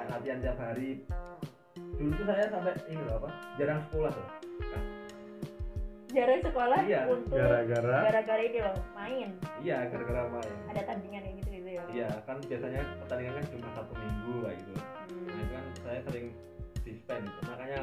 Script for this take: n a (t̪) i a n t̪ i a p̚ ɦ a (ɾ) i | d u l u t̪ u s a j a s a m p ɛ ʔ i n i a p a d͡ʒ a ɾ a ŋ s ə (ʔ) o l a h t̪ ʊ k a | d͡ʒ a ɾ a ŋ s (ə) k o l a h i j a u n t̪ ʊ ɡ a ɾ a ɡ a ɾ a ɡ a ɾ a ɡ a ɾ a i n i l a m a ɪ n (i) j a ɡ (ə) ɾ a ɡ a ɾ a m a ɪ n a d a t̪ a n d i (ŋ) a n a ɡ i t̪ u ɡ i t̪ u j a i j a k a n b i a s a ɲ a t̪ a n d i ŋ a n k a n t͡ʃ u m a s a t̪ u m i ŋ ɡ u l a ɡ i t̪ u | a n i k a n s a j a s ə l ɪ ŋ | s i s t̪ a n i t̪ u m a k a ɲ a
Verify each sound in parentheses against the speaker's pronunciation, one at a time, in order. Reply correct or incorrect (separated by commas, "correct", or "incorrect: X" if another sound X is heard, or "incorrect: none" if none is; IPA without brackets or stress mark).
correct, correct, incorrect: k, correct, correct, incorrect: a, correct